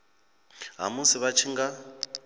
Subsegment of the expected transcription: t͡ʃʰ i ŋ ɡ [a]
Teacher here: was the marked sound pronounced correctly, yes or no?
yes